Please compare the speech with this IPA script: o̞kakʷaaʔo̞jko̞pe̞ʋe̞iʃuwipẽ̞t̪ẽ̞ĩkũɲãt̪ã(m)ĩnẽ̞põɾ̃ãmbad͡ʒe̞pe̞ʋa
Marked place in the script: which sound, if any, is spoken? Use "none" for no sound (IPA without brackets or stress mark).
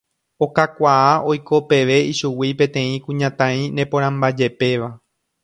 none